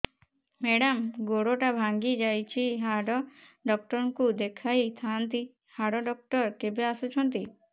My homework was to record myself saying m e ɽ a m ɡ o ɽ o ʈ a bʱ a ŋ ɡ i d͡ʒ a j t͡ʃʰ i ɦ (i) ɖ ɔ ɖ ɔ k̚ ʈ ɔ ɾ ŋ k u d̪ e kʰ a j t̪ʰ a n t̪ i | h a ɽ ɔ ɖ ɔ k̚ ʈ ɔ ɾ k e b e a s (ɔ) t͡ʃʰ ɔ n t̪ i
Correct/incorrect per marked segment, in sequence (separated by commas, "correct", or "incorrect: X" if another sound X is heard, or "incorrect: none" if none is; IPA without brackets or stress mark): incorrect: a, incorrect: u